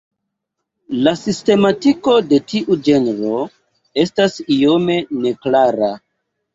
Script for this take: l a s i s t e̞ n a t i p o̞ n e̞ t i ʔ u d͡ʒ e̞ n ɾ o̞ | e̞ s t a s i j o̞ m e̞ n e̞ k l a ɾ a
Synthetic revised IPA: l a s i s t e̞ m a t i k o̞ d e̞ t i ʔ u d͡ʒ e̞ n ɾ o̞ | e̞ s t a s i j o̞ m e̞ n e̞ k l a ɾ a